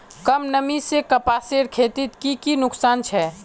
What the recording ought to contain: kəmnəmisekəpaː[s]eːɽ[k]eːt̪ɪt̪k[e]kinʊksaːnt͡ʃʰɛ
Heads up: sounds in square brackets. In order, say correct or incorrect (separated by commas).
correct, incorrect, incorrect